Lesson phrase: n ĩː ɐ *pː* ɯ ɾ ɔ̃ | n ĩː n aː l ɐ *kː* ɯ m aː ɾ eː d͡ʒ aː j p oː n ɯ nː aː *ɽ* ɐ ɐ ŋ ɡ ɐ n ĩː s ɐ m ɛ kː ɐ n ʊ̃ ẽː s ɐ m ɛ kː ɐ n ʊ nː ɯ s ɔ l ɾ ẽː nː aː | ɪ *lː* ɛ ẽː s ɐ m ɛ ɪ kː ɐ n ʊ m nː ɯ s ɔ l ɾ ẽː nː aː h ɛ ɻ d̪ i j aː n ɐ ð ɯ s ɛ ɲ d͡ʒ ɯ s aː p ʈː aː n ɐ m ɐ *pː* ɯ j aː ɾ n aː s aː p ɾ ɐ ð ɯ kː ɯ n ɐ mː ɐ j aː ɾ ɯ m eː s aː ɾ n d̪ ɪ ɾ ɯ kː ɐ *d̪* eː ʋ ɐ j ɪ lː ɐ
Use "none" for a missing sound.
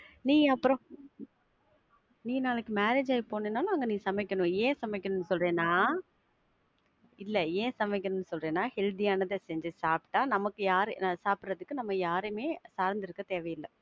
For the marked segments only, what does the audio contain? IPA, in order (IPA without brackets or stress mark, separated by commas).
pː, kː, l, lː, kː, t̪